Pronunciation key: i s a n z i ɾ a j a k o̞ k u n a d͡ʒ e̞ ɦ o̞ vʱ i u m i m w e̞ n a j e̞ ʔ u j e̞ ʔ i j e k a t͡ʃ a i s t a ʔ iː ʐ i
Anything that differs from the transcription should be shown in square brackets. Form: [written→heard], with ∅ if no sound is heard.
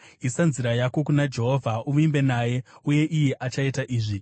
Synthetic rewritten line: i s a n z i ɾ a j a k o̞ k u n a d͡ʒ e̞ ɦ o̞ vʱ [i→a] u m i m [w→b] e̞ n a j e̞ [ʔ→∅] u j e̞ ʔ i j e [k→ʔ] a t͡ʃ a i [s→∅] t a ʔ iː ʐ i